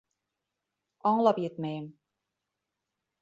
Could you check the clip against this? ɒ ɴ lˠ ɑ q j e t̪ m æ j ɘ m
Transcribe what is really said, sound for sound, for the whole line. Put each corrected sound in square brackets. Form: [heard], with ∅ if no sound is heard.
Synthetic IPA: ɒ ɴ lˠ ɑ [p] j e t̪ m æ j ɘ m